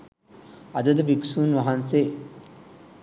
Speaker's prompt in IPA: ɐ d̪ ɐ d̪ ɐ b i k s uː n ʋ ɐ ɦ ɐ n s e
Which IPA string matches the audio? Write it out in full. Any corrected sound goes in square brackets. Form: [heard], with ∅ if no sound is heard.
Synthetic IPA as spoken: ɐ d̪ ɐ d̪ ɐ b i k s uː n ʋ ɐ ɦ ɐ n s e